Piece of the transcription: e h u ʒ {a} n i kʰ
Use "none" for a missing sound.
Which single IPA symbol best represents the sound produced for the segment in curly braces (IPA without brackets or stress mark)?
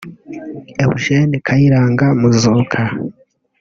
e